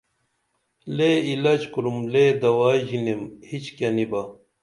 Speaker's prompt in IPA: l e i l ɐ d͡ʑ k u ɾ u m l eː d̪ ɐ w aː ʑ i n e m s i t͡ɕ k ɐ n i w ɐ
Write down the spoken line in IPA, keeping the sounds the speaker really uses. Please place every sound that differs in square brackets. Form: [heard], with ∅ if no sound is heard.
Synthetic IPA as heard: l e i l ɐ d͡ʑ k u ɾ u m l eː d̪ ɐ w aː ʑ i n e m [h] i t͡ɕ k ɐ n i [b] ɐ